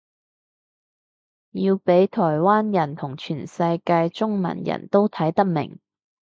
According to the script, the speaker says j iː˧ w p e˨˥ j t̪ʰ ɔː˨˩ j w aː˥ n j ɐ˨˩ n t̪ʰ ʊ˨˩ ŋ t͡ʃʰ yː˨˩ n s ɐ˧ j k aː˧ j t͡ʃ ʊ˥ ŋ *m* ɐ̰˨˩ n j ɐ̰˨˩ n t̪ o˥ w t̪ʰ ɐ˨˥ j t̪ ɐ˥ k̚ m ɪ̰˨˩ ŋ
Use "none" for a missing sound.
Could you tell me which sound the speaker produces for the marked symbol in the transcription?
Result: m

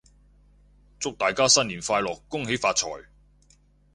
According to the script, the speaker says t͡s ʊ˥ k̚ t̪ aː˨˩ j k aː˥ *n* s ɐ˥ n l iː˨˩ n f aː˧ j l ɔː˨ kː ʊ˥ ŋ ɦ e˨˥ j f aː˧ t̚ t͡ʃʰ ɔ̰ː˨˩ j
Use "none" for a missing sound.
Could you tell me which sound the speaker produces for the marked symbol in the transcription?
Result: none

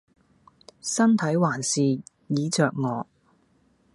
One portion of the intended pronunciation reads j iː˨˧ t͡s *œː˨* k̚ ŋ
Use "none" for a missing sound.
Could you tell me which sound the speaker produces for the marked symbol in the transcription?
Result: œː˨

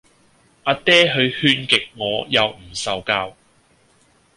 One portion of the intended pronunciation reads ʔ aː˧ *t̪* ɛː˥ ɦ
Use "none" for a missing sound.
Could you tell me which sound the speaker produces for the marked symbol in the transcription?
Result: t̪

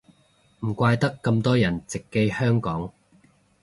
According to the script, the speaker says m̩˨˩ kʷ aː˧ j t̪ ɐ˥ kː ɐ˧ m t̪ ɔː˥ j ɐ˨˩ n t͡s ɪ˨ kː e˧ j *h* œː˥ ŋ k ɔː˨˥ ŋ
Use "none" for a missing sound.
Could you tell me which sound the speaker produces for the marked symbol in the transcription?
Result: h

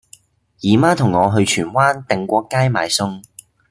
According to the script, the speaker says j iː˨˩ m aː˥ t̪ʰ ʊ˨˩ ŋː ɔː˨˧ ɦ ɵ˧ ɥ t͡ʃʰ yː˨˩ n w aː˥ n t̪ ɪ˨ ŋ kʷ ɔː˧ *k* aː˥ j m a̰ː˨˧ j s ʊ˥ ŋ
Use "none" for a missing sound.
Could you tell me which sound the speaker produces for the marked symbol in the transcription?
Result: k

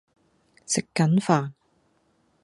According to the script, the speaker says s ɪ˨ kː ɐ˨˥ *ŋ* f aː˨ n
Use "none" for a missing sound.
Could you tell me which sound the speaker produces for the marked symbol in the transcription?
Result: n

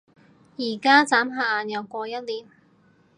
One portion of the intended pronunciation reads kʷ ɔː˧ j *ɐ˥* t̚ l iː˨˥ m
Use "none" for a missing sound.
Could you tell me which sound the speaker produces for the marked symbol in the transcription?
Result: ɐ˥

